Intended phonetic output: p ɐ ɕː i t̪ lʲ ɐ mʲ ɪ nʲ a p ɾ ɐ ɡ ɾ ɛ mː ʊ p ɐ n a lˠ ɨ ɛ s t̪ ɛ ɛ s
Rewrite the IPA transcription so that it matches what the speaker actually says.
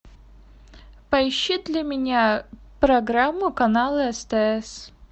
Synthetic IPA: p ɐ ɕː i d̪ lʲ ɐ mʲ ɪ nʲ a p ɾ ɐ ɡ ɾ a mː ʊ k ɐ n a lˠ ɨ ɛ s t̪ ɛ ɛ s